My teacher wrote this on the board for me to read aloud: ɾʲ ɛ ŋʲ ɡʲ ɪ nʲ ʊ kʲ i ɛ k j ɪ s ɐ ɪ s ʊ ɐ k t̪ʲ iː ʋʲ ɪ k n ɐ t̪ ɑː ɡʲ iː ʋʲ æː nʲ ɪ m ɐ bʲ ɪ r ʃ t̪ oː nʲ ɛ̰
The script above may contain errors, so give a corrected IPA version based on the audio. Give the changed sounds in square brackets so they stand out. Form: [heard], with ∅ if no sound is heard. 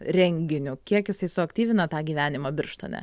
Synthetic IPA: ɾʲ ɛ ŋʲ ɡʲ ɪ nʲ ʊ kʲ i ɛ k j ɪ s ɐ ɪ s ʊ ɐ k t̪ʲ iː ʋʲ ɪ [∅] n ɐ t̪ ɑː ɡʲ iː ʋʲ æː nʲ ɪ m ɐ bʲ ɪ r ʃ t̪ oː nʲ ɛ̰